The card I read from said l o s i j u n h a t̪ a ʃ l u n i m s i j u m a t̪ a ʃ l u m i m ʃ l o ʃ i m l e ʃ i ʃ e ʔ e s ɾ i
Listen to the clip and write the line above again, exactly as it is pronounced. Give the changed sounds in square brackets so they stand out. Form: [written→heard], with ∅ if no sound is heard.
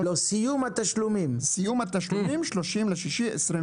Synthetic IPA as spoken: l o s i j u [n→m] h a t̪ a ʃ l u [n→m] i m s i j u m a t̪ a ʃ l u m i m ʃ l o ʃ i m l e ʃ i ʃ [e→i] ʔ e s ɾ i

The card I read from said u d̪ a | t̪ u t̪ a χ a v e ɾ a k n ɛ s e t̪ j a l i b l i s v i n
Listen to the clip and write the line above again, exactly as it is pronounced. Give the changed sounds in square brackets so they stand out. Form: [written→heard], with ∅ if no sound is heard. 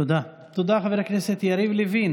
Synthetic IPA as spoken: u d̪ a | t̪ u [t̪→d̪] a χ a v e ɾ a k n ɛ s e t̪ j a [l→ɾ] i [b→v] l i [s→∅] v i n

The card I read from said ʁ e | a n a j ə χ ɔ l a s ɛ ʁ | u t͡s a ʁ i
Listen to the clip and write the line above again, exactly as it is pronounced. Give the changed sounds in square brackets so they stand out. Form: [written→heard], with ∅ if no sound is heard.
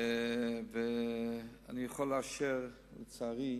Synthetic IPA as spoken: [ʁ→v] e | a n [a→i] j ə χ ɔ l a [s→ʃ] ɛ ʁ | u t͡s a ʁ i

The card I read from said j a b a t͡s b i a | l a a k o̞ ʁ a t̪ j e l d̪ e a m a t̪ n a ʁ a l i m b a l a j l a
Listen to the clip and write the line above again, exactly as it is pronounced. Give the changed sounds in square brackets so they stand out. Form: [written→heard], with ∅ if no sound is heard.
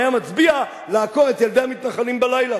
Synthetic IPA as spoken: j a [b→m] a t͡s b i a | l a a k o̞ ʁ [a→e] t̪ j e l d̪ e a m [a→i] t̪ n a [ʁ→χ] a l i m b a l a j l a

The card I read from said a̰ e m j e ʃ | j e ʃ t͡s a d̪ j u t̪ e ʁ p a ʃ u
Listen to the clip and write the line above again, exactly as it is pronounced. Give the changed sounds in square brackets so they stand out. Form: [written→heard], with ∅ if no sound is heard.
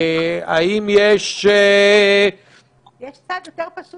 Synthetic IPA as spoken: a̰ [e→i] m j e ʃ | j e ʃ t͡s a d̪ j [u→o] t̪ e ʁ p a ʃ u

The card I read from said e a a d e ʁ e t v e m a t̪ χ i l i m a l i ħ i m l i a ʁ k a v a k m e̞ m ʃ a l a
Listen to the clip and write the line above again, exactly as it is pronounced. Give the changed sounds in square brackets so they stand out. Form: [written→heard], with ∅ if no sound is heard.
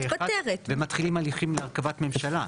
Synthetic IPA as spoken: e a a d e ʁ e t v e m a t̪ χ i l i m a l i [ħ→χ] i m l [i→e] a ʁ k a v a [k→t] m e̞ m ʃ a l a

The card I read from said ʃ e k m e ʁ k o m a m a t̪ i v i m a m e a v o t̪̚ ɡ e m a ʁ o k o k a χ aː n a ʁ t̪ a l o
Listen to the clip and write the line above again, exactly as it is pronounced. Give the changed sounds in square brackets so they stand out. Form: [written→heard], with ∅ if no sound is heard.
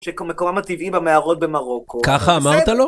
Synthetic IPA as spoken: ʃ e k m e [ʁ→∅] k o m a m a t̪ i v i [m→b] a m e a [v→ʁ] o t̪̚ [ɡ→b] e m a ʁ o k o k a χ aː [n→m] a ʁ t̪ a l o

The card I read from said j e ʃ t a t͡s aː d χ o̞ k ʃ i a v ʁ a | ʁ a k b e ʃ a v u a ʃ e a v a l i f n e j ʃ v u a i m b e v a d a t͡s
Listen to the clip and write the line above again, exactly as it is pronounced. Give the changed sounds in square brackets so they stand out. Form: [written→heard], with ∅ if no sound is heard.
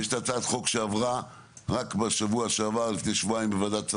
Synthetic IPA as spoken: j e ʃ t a t͡s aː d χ o̞ k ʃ [i→e] a v ʁ a | ʁ a k b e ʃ a v u a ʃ e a v a l i f n e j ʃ v u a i m b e v a d a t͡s

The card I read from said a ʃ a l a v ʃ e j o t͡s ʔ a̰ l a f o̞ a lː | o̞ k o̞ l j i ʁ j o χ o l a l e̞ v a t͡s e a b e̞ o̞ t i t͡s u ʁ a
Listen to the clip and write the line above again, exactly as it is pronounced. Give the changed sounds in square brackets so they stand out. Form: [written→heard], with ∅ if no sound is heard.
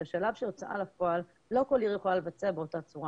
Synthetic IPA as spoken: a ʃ a l a v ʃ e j o t͡s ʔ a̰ l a f o̞ a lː | o̞ k o̞ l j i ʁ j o χ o l a l e̞ v a t͡s e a b e̞ o̞ t [i→a] t͡s u ʁ a

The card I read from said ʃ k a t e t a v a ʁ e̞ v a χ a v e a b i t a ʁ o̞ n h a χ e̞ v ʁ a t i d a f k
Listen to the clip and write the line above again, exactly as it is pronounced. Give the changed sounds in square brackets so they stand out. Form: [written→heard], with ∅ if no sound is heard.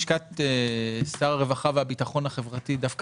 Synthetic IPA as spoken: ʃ k a t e [t→s] a [v→ʁ] a ʁ e̞ v a χ a v e a b i t a [ʁ→χ] o̞ n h a χ e̞ v ʁ a t i d a f k

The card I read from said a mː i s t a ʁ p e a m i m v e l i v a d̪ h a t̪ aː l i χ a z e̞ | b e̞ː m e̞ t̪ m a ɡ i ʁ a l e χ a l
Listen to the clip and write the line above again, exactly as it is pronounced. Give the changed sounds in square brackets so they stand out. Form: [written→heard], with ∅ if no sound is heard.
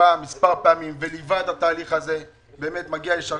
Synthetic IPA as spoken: a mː i s [t→p] a ʁ p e a m i m v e l i v a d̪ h a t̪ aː l i χ a z e̞ | b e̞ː m e̞ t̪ m a ɡ i [ʁ→∅] a l e [χ→ʃ] a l

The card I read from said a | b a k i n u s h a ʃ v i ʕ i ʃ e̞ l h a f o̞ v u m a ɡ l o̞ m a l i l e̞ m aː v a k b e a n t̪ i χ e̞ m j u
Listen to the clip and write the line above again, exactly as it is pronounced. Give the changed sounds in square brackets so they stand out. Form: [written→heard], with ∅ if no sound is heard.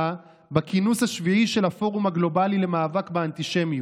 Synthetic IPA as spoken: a | b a k i n u s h a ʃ v i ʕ i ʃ e̞ l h a f o̞ [v→ʁ] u m a ɡ l o̞ [m→b] a l i l e̞ m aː v a k b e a n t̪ i [χ→ʃ] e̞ m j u

